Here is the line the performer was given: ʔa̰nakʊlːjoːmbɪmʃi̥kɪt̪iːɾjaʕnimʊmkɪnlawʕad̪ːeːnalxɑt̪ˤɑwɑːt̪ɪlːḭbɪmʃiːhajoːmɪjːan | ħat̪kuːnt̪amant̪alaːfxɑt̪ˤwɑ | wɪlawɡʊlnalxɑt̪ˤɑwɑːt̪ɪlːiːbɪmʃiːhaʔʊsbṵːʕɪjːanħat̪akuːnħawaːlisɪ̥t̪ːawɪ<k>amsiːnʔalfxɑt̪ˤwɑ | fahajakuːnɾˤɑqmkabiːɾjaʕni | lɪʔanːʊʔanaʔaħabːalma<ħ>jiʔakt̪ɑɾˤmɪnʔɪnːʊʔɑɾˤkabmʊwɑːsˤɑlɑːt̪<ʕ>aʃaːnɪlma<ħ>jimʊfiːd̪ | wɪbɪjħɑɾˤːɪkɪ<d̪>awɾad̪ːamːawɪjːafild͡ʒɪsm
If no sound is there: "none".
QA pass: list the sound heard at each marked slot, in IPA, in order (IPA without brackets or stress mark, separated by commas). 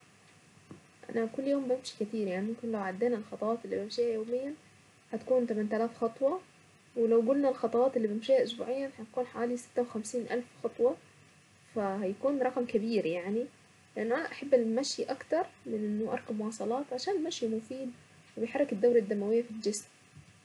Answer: x, ʃ, ʕ, ʃ, d̪ː